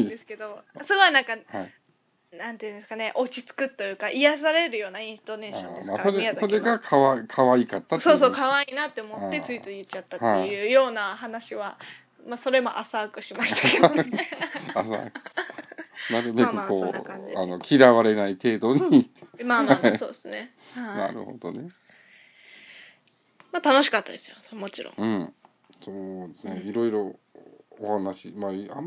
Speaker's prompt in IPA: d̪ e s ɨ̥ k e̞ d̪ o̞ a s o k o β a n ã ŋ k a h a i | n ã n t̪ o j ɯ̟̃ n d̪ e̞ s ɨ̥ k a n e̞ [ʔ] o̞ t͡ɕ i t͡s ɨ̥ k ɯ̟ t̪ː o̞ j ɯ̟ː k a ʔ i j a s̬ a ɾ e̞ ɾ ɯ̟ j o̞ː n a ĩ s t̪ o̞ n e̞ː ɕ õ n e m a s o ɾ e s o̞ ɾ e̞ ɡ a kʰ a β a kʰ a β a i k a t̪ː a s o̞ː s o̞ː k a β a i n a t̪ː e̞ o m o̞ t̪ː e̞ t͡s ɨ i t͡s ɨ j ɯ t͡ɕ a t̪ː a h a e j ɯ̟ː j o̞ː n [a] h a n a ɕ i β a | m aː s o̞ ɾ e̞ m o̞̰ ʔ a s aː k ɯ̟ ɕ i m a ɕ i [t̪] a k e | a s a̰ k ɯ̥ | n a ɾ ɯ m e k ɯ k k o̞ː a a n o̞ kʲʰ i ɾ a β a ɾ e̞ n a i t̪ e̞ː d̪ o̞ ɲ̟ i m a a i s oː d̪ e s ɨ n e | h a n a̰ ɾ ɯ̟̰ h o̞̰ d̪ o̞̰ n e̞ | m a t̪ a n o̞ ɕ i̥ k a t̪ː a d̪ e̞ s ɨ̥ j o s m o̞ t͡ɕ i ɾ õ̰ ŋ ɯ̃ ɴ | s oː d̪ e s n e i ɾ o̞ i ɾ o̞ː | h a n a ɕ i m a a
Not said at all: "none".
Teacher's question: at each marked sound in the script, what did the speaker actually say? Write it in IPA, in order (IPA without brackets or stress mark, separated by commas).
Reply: ʔ, a, t̪